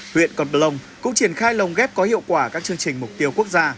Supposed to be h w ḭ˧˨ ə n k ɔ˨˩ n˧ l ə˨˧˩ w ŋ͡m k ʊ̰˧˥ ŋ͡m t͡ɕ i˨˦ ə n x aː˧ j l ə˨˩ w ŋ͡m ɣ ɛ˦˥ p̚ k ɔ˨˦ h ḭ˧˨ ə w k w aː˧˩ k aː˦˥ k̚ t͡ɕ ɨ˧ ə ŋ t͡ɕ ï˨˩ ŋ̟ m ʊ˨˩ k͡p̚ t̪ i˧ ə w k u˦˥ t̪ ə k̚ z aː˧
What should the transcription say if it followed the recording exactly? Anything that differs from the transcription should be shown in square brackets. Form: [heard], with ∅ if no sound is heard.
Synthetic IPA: h w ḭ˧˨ ə n k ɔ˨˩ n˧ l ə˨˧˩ w ŋ͡m k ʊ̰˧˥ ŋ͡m t͡ɕ [i˧˩] ə n x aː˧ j l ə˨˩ w ŋ͡m ɣ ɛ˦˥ p̚ k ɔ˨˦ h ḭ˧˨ ə w k w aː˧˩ k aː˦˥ k̚ t͡ɕ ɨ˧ ə ŋ t͡ɕ ï˨˩ ŋ̟ m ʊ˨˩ k͡p̚ t̪ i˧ ə w k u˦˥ [∅] ə k̚ z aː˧

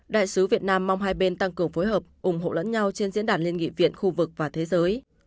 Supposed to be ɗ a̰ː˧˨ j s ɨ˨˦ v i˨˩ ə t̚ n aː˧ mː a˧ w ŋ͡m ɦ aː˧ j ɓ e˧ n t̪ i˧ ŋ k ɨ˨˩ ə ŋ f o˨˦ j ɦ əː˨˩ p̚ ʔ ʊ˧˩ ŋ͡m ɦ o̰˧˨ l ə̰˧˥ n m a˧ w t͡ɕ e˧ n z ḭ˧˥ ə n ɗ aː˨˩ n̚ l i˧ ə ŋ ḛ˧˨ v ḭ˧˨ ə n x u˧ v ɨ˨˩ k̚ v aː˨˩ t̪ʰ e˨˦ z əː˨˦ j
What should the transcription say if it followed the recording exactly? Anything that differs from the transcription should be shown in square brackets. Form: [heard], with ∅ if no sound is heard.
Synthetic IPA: ɗ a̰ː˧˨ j s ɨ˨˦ v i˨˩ ə t̚ n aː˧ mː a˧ w ŋ͡m ɦ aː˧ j ɓ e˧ n t̪ [a˧] ŋ k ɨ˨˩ ə ŋ f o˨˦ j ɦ əː˨˩ p̚ ʔ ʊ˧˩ ŋ͡m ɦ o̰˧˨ l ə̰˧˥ n [ɲ] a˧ w t͡ɕ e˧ n z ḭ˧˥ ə n ɗ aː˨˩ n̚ l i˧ ə ŋ [ḭ˧˨] v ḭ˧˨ ə n x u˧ v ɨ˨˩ k̚ v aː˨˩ t̪ʰ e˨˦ z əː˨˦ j

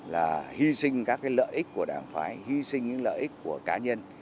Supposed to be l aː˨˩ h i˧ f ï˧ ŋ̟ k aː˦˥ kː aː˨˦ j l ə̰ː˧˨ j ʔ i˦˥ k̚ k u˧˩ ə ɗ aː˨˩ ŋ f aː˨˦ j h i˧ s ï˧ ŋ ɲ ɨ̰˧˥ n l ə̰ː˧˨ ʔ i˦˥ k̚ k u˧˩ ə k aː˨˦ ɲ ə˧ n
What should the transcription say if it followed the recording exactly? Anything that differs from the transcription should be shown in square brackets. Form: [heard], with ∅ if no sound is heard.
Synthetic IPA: l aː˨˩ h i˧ [s] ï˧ ŋ̟ k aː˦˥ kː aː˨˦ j l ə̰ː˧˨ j ʔ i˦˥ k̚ k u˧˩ ə ɗ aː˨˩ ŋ f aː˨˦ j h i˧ s ï˧ ŋ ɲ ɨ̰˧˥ [ŋ] l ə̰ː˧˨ ʔ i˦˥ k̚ k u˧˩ ə k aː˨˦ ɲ ə˧ n

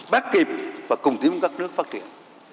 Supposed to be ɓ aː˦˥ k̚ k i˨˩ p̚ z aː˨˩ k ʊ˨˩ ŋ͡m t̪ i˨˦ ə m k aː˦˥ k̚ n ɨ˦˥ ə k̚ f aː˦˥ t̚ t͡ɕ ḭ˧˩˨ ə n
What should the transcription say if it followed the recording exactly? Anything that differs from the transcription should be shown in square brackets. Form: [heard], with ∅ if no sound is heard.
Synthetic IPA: ɓ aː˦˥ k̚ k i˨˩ p̚ [v] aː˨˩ k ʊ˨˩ ŋ͡m t̪ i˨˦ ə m k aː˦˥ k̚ n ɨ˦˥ ə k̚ f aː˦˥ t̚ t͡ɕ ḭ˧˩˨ ə n

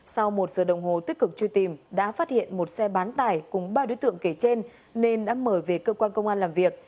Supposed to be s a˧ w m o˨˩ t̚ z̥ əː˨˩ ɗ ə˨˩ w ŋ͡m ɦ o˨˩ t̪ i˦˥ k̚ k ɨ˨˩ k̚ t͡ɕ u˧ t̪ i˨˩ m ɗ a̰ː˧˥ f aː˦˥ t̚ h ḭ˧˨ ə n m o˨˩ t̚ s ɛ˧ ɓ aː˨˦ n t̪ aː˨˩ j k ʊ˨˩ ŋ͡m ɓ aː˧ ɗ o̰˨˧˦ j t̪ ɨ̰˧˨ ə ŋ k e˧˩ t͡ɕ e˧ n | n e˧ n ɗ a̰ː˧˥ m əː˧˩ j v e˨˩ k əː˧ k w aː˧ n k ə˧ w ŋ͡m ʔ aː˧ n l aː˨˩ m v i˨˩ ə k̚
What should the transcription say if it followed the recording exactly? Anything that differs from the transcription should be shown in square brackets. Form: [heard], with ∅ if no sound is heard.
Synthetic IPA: s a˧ w m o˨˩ t̚ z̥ əː˨˩ ɗ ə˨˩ w ŋ͡m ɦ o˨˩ t̪ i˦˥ k̚ k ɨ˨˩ k̚ t͡ɕ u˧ t̪ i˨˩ m ɗ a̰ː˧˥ f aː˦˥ t̚ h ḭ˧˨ ə n m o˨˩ t̚ s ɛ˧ ɓ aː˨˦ n t̪ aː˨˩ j k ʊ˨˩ ŋ͡m ɓ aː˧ ɗ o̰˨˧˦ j t̪ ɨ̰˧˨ ə ŋ k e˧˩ t͡ɕ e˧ n | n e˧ n ɗ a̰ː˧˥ m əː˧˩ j v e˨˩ k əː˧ k w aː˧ n k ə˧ w ŋ͡m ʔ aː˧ n l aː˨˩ m v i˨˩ ə k̚

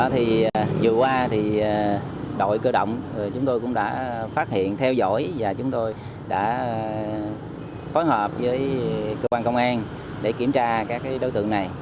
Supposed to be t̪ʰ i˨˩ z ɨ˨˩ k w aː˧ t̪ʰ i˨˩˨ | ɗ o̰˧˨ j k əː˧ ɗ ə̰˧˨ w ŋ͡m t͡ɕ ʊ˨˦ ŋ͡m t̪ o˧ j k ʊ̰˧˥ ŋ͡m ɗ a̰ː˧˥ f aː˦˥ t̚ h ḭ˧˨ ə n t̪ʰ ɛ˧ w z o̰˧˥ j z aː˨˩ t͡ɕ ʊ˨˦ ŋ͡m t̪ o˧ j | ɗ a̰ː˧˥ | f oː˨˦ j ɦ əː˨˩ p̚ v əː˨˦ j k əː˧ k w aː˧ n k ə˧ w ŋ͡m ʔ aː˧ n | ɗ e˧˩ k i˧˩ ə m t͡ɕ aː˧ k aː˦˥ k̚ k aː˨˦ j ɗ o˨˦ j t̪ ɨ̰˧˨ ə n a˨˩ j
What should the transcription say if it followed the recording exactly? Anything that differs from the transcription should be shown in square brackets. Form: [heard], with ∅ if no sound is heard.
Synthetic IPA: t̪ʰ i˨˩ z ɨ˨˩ k w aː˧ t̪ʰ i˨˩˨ | ɗ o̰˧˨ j k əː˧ ɗ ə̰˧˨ w ŋ͡m t͡ɕ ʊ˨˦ ŋ͡m t̪ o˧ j k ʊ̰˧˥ ŋ͡m ɗ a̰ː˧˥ f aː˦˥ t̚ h ḭ˧˨ ə n t̪ʰ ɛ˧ w z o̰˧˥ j [v] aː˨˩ t͡ɕ ʊ˨˦ ŋ͡m t̪ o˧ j | ɗ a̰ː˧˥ | f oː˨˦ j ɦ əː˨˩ p̚ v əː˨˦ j k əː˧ k w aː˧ n k ə˧ w ŋ͡m ʔ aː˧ n | ɗ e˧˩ k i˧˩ ə m t͡ɕ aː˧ k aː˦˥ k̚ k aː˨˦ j ɗ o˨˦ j t̪ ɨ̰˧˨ ə n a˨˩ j

